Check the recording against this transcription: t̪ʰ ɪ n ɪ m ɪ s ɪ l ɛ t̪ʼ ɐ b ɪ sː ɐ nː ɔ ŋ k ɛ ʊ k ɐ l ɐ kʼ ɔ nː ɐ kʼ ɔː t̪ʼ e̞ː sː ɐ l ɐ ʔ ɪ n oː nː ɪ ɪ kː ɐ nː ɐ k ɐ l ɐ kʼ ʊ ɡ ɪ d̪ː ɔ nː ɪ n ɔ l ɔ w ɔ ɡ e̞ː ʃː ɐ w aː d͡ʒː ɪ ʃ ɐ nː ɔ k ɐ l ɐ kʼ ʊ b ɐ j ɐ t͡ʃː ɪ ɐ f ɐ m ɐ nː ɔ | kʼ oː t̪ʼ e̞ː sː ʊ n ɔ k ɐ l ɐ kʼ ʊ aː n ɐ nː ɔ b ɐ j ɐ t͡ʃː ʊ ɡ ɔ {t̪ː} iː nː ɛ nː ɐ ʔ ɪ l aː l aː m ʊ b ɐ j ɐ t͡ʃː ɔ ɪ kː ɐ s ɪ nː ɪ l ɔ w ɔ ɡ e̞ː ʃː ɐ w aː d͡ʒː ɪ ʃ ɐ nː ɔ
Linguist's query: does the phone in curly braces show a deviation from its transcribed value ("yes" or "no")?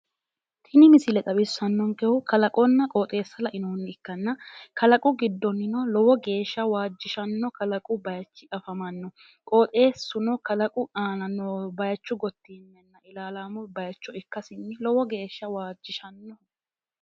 no